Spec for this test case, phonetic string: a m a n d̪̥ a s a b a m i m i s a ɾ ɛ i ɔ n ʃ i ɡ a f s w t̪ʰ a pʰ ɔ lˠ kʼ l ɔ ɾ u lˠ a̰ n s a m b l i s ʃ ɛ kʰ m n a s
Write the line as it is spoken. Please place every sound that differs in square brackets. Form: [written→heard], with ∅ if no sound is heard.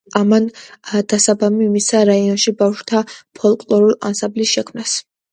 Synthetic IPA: a m a n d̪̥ a s a b a m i m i s a ɾ [ɛ→a] i ɔ n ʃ i [ɡ→b] a f [s→ʃ] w t̪ʰ a pʰ ɔ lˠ kʼ l ɔ ɾ u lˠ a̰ n s a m b l i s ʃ ɛ kʰ m n a s